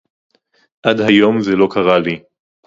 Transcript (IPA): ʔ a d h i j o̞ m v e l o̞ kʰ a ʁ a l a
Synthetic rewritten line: ʔ a d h a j o̞ m z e l o̞ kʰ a ʁ a l i